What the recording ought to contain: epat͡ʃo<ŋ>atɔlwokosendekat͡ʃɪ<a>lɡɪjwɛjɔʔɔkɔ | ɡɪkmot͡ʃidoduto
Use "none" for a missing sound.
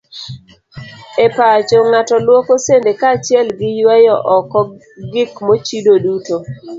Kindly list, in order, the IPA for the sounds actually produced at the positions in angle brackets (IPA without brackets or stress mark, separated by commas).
ŋ, ɛ